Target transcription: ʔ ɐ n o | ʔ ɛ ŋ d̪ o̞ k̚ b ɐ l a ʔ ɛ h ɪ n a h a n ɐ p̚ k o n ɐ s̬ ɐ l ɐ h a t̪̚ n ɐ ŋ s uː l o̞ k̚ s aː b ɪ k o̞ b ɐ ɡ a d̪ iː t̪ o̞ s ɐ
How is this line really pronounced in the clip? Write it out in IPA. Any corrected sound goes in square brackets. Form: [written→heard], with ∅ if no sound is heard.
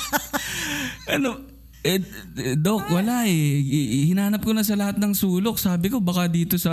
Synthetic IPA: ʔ ɐ n o | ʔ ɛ [ŋ→∅] d̪ o̞ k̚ [b→w] ɐ l a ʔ ɛ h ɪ n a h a n ɐ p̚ k o n ɐ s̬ ɐ l ɐ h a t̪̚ n ɐ ŋ s uː l o̞ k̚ s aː b ɪ k o̞ b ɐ [ɡ→k] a d̪ iː t̪ o̞ s ɐ